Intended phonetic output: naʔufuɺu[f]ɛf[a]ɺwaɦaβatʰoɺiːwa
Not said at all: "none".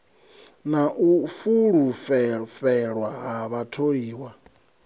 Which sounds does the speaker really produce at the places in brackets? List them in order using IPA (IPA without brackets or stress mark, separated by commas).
f, ɛ